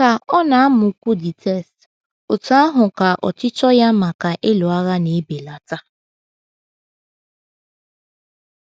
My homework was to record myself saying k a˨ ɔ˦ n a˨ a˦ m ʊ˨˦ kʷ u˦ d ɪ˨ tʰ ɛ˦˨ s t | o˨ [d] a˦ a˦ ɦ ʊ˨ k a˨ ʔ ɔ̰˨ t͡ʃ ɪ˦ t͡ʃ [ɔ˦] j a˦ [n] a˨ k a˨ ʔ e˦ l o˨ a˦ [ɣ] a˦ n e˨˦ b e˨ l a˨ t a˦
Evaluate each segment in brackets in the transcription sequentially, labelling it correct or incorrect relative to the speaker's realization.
incorrect, correct, incorrect, correct

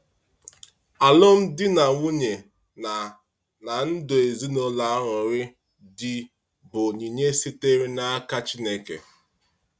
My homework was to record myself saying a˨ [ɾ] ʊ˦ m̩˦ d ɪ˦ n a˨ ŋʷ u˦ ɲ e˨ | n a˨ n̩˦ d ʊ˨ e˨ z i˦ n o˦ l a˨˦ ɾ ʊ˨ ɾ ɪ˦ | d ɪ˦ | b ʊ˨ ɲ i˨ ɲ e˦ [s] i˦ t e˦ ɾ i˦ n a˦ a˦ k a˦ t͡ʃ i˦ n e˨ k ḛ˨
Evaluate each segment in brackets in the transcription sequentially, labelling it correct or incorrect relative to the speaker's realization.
incorrect, correct

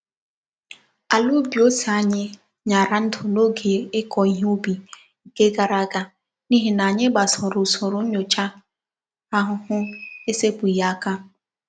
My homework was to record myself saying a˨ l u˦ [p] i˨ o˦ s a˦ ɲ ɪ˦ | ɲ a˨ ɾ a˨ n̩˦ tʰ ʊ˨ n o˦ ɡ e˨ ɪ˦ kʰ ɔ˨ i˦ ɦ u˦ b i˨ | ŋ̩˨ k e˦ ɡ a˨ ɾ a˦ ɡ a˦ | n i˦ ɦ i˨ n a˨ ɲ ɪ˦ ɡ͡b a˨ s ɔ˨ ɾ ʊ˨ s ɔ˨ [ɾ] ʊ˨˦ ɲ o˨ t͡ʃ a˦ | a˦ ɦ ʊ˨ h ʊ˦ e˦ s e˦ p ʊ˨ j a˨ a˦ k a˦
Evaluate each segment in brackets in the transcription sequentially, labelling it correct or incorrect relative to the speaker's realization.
incorrect, correct

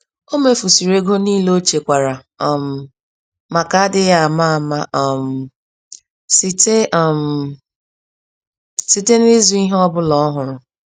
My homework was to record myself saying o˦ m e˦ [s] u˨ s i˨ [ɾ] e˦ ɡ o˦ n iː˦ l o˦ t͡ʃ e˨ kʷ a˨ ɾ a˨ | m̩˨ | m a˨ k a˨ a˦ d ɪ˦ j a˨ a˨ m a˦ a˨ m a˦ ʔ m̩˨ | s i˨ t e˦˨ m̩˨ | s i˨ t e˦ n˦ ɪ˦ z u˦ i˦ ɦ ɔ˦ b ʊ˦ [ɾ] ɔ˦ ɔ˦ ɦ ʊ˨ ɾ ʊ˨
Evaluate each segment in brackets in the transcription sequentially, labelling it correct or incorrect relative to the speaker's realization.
incorrect, correct, incorrect

